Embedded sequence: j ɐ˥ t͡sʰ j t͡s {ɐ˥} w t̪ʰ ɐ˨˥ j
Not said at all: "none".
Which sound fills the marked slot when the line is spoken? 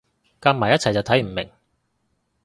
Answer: ɐ˨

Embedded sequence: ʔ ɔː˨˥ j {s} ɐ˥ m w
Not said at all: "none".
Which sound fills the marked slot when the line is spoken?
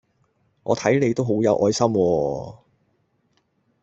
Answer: s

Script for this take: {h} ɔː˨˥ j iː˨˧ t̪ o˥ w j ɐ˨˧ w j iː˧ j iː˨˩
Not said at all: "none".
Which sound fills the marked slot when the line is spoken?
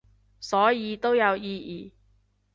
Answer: s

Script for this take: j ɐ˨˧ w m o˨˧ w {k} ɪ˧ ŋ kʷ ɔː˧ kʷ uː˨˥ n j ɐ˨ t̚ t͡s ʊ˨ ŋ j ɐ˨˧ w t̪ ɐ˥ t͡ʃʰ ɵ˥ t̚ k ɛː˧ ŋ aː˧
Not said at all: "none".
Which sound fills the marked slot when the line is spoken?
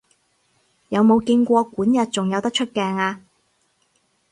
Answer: k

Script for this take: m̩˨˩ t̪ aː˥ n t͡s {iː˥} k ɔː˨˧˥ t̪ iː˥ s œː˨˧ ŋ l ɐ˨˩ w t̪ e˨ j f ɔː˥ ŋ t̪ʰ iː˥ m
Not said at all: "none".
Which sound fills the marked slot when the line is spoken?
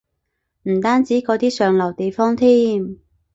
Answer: iː˨˥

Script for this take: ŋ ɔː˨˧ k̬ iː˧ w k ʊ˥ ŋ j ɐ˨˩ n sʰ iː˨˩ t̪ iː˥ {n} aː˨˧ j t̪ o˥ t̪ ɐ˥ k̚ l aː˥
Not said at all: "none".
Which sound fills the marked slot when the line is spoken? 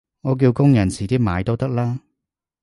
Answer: m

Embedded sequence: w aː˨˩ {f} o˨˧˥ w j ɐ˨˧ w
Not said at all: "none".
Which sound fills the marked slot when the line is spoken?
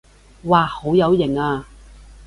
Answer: h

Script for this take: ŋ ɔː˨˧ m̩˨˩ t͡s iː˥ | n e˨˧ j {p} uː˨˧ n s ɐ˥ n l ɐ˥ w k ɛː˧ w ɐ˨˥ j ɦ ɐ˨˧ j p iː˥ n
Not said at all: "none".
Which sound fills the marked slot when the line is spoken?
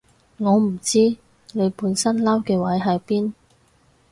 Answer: p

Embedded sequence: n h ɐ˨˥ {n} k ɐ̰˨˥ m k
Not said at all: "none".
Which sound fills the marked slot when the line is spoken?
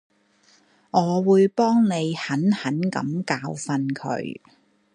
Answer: n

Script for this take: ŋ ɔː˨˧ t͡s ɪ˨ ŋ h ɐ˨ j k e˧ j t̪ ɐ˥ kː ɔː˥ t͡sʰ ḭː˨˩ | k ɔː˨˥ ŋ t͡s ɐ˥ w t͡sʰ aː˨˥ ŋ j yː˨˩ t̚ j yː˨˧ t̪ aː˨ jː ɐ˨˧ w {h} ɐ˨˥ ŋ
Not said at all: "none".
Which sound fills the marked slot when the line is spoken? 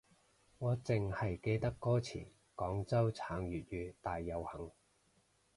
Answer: h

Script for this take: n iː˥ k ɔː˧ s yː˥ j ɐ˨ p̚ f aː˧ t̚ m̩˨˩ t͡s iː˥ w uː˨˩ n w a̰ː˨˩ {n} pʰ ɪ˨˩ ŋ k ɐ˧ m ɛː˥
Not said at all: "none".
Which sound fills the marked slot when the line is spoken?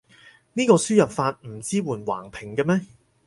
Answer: ŋ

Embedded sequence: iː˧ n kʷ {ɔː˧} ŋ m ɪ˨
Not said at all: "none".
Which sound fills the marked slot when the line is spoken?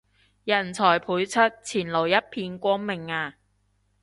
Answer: ɔː˥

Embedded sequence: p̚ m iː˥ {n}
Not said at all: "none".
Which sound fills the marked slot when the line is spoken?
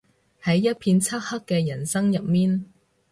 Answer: n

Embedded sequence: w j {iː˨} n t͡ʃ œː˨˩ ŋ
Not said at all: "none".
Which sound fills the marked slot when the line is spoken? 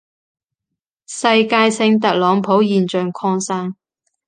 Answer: iː˨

